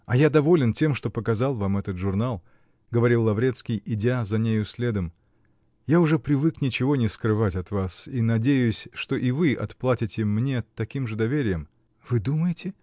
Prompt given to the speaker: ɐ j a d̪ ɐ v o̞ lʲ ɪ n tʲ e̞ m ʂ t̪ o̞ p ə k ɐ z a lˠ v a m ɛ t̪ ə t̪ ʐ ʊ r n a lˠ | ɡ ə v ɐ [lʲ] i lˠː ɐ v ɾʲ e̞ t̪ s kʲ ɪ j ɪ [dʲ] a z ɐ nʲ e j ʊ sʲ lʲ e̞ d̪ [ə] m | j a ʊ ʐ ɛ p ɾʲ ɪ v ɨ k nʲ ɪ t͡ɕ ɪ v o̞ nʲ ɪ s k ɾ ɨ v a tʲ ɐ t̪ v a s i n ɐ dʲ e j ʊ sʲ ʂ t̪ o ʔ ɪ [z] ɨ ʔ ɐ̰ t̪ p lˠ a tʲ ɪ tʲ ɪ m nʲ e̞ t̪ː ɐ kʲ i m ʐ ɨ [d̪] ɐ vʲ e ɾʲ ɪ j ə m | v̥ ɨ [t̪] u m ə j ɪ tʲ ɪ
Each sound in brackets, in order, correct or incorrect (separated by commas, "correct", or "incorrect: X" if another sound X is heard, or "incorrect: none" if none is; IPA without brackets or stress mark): incorrect: ɾʲ, correct, correct, incorrect: v, correct, incorrect: d̪